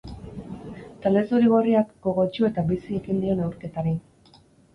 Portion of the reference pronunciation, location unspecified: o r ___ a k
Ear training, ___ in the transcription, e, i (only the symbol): i